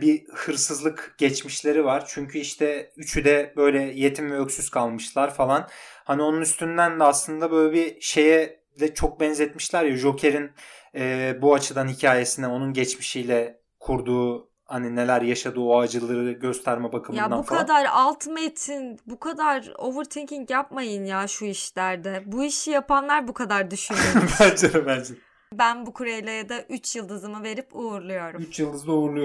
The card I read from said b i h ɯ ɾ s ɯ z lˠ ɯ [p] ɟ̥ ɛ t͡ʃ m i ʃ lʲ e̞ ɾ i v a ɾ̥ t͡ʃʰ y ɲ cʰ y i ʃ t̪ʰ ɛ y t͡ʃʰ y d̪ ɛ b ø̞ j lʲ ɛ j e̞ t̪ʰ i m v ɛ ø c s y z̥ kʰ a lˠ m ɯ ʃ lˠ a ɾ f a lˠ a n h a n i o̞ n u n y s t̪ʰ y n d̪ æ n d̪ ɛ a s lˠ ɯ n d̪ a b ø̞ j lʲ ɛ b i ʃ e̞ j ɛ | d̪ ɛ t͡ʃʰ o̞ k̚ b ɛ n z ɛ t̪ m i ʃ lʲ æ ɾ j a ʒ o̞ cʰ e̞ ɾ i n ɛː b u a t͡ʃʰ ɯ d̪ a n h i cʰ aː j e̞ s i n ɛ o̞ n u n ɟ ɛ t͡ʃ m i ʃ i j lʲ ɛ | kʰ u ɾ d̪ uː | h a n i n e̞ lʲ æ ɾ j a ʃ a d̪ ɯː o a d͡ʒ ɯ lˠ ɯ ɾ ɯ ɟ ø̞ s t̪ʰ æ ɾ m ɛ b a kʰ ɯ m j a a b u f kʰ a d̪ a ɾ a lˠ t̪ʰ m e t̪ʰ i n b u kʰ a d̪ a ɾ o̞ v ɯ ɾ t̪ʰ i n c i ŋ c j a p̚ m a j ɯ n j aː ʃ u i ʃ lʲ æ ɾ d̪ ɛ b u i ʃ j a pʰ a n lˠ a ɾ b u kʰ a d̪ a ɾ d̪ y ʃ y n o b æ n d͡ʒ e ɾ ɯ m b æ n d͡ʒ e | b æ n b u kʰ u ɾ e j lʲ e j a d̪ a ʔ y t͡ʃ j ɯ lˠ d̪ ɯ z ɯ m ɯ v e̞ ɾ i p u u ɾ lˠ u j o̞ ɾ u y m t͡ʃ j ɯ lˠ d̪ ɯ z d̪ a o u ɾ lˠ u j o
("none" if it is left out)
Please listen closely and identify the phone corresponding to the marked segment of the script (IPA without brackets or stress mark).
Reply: k